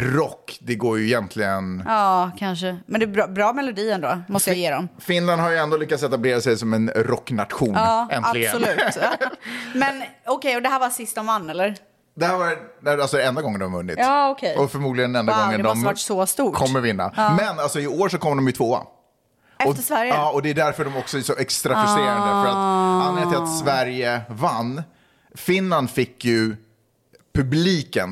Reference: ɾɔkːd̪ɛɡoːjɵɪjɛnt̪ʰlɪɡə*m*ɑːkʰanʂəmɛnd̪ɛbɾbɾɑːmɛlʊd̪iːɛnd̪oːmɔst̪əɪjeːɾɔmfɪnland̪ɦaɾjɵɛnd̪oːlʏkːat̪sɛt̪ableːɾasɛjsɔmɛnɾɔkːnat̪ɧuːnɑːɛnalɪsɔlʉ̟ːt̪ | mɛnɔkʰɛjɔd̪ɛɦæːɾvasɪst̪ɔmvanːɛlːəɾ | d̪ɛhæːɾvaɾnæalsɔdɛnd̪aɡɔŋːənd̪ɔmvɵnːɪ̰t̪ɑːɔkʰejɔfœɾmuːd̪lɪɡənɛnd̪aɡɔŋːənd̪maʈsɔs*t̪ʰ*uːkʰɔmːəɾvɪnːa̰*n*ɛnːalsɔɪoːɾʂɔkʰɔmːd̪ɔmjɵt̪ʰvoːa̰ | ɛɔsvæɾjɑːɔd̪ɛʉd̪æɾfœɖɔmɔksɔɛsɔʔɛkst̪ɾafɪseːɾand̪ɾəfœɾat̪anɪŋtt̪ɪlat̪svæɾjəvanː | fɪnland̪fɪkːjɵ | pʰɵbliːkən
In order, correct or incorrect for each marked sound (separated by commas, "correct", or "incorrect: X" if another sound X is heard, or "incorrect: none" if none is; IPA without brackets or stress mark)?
incorrect: n, incorrect: t̪, incorrect: m